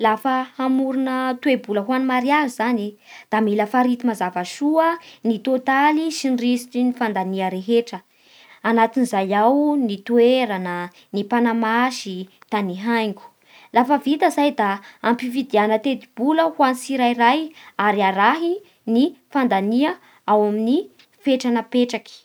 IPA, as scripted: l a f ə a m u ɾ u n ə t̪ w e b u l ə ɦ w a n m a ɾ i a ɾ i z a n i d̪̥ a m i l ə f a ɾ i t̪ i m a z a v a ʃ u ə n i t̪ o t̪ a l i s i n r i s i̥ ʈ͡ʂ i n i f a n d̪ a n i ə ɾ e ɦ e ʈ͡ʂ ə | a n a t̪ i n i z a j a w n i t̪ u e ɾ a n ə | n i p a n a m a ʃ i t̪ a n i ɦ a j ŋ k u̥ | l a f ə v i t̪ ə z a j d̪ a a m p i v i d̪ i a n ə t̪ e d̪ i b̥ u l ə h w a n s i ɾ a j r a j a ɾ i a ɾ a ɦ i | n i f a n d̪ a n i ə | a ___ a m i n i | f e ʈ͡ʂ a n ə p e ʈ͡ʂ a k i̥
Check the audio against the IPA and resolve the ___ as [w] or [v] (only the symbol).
w